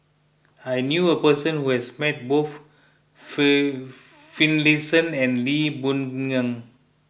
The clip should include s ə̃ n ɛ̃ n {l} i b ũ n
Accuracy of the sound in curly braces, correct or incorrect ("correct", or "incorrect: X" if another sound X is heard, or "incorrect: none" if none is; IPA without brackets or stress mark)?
correct